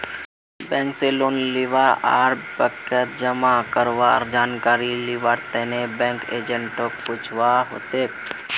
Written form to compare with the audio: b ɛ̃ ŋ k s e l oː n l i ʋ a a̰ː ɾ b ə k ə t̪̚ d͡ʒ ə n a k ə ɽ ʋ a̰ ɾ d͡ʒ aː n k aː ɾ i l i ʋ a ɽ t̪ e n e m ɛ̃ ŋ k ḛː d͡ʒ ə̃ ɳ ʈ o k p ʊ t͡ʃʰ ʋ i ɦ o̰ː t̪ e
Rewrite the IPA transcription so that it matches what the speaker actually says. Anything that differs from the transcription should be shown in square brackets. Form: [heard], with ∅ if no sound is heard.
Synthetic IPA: b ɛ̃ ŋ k s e l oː n l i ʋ a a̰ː ɾ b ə k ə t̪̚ d͡ʒ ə [m] a k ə [ɾ] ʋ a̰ ɾ d͡ʒ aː n k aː ɾ i l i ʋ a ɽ t̪ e n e [b] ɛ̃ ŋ k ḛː d͡ʒ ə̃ ɳ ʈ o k p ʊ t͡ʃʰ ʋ [a] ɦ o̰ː t̪ e